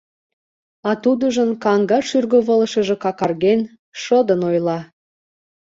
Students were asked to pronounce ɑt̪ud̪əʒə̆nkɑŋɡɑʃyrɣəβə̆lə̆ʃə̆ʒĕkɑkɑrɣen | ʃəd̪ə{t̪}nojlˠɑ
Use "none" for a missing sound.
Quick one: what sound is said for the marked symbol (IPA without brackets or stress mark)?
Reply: none